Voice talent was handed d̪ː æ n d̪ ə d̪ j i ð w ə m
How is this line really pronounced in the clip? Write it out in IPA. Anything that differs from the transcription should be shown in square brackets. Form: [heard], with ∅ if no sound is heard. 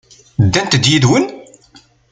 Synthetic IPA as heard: d̪ː æ n [t̪] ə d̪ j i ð w ə [n]